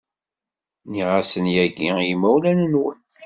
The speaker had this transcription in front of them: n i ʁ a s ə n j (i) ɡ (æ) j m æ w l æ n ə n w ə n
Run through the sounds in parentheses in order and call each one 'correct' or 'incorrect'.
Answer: incorrect, incorrect

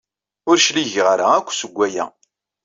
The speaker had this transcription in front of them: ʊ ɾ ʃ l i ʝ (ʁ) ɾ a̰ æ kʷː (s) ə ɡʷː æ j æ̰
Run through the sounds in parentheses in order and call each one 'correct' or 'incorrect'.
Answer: correct, correct

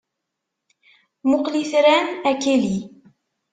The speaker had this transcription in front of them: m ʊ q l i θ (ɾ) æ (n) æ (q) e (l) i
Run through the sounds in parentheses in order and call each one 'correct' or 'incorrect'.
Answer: correct, correct, incorrect, correct

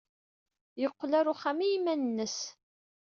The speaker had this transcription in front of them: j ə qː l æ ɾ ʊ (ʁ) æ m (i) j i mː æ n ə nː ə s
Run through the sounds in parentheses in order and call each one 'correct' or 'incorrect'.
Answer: incorrect, correct

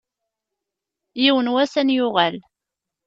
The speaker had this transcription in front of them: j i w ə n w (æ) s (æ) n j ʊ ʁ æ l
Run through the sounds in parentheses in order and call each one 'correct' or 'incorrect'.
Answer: correct, correct

